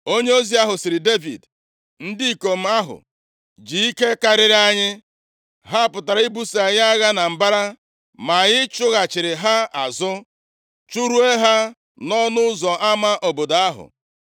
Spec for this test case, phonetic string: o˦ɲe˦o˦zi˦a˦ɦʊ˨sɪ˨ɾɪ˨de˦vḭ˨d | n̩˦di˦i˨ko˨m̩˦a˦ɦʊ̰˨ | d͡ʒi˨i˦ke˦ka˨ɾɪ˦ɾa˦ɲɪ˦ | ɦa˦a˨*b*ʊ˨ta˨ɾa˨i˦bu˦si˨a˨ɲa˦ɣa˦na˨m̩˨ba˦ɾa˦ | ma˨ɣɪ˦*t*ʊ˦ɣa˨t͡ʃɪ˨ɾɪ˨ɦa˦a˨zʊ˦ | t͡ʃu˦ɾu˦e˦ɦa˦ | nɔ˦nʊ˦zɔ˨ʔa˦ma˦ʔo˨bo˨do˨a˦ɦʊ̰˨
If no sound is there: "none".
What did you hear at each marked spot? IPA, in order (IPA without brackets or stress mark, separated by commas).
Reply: p, t͡ʃ